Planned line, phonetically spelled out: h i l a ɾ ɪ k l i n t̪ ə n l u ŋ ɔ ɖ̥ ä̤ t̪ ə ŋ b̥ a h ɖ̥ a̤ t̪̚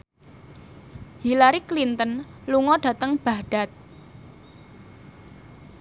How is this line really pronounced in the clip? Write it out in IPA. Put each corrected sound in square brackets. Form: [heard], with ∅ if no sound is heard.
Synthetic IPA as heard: h i l a ɾ [i] k l i n t̪ ə n l u ŋ ɔ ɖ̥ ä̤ t̪ ə ŋ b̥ a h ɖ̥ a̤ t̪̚